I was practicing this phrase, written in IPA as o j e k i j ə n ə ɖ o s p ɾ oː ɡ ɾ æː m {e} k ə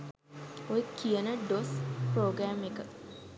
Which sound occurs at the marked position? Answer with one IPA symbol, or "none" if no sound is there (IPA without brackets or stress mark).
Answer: e